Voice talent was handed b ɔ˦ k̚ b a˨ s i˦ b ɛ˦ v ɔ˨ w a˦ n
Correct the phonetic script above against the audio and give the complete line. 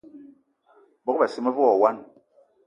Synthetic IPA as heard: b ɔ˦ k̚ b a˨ s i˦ m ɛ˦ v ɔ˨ w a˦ n

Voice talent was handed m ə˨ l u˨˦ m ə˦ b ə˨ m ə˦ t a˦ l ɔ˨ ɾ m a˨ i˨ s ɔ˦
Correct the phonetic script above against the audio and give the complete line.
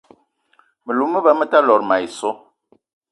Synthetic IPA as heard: m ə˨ l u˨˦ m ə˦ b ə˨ m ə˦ t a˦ l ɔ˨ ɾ m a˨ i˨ s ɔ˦

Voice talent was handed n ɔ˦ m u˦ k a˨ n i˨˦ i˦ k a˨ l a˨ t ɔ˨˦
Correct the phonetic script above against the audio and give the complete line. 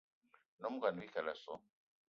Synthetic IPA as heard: n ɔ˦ m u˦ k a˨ n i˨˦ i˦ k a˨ l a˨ s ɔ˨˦

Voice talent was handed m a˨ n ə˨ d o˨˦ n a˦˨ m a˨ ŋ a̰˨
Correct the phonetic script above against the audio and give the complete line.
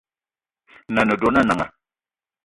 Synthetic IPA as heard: n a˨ n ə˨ d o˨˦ n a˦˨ n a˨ ŋ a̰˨

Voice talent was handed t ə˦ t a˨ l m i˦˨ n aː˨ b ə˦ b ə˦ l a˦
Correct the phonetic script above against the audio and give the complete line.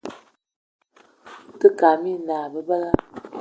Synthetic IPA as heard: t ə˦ k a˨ m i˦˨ n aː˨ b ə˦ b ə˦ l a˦

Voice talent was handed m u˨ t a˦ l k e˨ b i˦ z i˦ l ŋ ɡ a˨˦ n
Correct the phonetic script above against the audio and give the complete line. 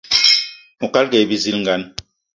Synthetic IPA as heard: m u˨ k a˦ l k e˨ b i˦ z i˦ l ŋ ɡ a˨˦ n

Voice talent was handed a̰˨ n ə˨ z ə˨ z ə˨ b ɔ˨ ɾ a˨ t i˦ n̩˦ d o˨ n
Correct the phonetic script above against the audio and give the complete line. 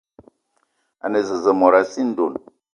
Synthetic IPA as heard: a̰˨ n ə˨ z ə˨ z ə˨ m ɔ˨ ɾ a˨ s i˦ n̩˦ d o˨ n

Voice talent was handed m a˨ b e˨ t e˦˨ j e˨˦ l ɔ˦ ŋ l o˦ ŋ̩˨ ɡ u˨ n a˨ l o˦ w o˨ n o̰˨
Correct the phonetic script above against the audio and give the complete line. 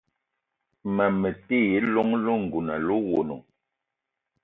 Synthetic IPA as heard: m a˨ m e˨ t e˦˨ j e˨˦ l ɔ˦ ŋ l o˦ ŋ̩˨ ɡ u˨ n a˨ l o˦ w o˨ n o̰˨

